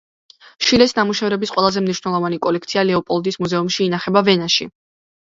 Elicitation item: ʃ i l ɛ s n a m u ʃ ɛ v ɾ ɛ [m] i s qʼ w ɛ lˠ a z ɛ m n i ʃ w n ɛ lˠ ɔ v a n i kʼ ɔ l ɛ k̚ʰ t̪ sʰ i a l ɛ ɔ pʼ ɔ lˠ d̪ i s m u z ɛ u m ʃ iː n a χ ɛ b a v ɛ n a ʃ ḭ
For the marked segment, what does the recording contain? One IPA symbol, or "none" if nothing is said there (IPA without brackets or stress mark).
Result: b